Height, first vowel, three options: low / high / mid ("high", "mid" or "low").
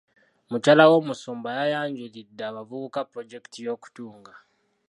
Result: high